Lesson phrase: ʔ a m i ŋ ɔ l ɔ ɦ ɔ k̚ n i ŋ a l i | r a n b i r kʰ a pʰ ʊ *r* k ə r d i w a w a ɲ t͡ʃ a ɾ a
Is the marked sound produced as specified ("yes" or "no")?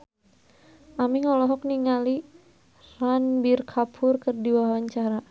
yes